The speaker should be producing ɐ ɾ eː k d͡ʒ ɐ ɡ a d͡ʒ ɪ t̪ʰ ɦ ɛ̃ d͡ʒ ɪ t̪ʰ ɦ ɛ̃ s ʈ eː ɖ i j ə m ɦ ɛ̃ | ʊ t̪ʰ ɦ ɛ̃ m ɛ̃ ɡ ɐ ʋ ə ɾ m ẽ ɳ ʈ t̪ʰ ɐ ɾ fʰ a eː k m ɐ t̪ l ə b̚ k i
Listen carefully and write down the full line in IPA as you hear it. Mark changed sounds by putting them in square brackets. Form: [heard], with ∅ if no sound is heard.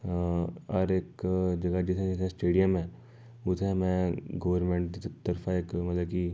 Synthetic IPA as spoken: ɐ ɾ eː k d͡ʒ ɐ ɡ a d͡ʒ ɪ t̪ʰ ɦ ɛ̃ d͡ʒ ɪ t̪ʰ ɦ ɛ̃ s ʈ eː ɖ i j ə m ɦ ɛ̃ | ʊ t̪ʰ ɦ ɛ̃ m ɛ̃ ɡ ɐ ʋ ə ɾ m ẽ ɳ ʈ [t̪] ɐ ɾ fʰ a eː k m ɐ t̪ l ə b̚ k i